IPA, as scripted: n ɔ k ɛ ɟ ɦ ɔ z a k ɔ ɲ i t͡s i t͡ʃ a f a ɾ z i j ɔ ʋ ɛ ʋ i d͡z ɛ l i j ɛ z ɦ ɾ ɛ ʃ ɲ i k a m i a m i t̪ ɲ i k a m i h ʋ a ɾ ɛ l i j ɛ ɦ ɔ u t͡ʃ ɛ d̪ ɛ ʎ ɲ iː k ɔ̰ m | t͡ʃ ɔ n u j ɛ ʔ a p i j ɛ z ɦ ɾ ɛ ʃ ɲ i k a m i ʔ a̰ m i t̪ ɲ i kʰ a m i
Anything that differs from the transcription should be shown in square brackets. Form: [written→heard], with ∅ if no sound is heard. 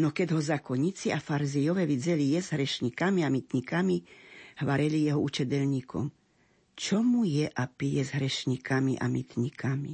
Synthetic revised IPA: n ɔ k ɛ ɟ ɦ ɔ z a k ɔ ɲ i t͡s i [t͡ʃ→∅] a f a ɾ z i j ɔ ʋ ɛ ʋ i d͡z ɛ l i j ɛ z ɦ ɾ ɛ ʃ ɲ i k a m i a m i t̪ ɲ i k a m i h ʋ a ɾ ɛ l i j ɛ ɦ ɔ u t͡ʃ ɛ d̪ ɛ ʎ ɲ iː k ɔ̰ m | t͡ʃ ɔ [n→m] u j ɛ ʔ a p i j ɛ z ɦ ɾ ɛ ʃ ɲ i k a m i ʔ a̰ m i t̪ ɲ i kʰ a m i